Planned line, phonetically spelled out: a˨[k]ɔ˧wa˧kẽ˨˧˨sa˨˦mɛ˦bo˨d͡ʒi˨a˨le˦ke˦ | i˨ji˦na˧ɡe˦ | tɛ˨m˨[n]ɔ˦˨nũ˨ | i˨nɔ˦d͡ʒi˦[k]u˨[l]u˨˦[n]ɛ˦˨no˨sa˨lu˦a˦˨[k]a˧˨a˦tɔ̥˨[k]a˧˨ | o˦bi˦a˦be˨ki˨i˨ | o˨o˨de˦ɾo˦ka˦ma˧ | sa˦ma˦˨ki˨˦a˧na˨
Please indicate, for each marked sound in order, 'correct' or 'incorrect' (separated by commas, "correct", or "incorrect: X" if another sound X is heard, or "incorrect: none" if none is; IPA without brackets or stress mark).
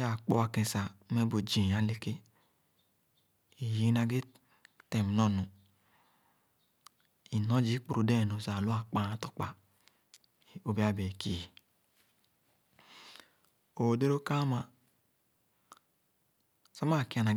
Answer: incorrect: k͡p, correct, incorrect: k͡p, incorrect: ɾ, incorrect: d, incorrect: k͡p, incorrect: k͡p